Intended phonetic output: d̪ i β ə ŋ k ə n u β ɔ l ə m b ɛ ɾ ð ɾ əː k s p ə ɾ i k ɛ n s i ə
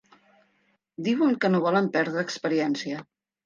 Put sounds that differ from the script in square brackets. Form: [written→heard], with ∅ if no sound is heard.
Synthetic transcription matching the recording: d̪ i [β→w] ə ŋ k ə n [u→o] β ɔ l ə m [b→p] ɛ ɾ ð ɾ əː k s p ə ɾ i [k→∅] ɛ n s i ə